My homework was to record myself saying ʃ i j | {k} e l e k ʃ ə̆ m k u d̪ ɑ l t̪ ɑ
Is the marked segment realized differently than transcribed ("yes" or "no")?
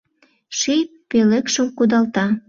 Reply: yes